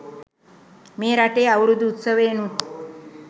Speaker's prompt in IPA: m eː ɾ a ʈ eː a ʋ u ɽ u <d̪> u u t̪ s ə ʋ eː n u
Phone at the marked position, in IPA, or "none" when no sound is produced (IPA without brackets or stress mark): d̪